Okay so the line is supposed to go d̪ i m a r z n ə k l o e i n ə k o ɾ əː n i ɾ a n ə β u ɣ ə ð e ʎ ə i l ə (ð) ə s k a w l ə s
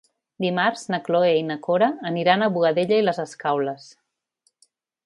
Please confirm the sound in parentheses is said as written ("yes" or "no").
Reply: no